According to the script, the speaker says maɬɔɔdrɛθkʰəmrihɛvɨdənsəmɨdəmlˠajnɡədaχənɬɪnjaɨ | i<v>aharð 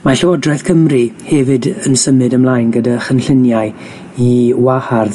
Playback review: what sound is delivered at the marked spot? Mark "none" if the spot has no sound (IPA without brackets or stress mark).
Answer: w